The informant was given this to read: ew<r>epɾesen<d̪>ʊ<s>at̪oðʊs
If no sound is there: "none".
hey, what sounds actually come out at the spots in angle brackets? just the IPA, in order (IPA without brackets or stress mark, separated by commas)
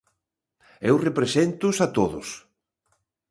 r, t̪, s